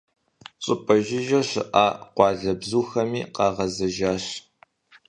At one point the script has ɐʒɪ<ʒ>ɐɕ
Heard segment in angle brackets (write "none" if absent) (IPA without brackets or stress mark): ʒ